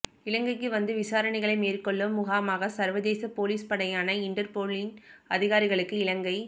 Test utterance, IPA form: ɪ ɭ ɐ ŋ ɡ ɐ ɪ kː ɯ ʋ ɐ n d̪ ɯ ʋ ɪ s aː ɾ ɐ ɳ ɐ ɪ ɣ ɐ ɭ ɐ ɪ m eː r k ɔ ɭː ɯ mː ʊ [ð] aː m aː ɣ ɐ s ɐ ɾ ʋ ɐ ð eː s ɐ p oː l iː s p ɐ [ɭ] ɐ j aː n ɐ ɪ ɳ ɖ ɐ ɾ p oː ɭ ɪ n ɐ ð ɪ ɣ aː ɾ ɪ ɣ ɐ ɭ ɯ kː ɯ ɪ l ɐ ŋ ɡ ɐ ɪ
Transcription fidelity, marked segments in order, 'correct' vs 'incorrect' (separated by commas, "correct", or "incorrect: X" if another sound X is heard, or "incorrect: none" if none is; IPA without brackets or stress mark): incorrect: ɣ, incorrect: ɽ